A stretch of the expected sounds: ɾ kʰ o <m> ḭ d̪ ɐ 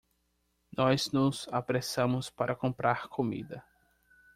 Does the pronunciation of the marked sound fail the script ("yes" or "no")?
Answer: no